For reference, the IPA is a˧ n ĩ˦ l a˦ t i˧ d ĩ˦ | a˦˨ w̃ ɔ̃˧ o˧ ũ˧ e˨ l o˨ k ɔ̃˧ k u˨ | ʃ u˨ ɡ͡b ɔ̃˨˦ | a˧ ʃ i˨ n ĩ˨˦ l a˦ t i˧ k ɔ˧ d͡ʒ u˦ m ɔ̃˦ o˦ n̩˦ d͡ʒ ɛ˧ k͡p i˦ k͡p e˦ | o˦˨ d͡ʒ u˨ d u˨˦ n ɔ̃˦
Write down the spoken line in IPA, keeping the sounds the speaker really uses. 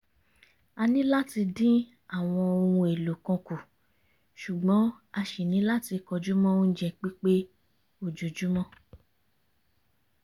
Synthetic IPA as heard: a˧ n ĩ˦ l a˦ t i˧ d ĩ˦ | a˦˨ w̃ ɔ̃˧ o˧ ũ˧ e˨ l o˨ k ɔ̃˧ k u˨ | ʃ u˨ ɡ͡b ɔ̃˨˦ | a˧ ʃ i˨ n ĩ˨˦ l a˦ t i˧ k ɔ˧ d͡ʒ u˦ m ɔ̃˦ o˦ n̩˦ d͡ʒ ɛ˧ k͡p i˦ k͡p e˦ | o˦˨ d͡ʒ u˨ d͡ʒ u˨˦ m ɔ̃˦